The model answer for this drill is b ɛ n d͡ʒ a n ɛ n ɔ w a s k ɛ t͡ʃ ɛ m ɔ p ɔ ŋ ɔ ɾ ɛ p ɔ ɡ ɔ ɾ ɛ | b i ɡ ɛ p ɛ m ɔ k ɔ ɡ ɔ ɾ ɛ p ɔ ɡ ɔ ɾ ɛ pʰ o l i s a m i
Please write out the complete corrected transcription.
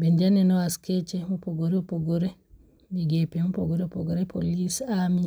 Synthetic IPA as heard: b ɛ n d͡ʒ a n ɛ n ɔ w a s k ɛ t͡ʃ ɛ m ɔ p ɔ ɡ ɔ ɾ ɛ p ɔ ɡ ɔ ɾ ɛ | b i ɡ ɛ p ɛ m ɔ p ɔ ɡ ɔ ɾ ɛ p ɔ ɡ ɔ ɾ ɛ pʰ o l i s a m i